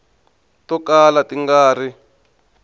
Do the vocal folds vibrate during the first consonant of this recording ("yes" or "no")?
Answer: no